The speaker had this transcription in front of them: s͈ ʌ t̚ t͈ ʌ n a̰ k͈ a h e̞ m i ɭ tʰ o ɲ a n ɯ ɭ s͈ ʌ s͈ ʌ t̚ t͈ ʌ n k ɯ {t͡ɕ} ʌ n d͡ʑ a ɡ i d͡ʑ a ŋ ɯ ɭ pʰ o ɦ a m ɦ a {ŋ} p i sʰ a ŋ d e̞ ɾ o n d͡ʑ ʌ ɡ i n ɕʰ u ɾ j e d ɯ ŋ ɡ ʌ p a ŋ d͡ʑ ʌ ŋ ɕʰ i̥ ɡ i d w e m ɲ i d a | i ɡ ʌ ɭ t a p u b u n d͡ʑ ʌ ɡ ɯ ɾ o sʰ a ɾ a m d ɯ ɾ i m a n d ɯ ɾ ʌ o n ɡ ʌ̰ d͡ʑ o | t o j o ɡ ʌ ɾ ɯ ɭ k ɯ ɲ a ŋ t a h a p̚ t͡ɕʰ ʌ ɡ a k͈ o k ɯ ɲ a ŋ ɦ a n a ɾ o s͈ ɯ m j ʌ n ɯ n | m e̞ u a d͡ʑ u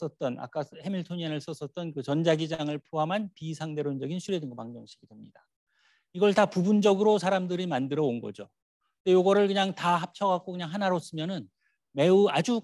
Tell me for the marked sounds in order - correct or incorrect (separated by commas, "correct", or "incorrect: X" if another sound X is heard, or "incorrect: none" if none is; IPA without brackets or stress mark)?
correct, incorrect: n